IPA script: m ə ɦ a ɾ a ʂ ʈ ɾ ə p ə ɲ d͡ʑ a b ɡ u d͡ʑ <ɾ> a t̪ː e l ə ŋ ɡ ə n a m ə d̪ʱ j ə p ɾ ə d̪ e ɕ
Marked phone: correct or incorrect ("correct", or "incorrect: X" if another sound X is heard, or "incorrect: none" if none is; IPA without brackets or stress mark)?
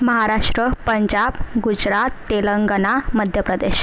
correct